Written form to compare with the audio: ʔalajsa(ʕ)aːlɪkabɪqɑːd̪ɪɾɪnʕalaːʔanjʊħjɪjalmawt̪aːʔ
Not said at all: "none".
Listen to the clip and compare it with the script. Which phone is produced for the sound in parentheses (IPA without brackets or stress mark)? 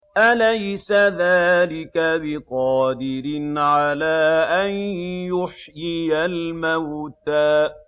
ð